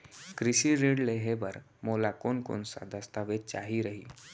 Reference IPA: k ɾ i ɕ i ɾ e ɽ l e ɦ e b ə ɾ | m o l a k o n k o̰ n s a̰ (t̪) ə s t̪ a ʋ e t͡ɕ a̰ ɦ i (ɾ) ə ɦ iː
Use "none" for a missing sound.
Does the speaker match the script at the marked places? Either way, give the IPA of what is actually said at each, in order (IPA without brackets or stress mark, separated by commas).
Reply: d̪, ɾ